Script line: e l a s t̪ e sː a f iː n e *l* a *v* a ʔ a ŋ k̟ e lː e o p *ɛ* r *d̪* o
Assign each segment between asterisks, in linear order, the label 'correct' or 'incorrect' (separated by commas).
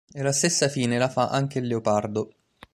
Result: correct, incorrect, incorrect, correct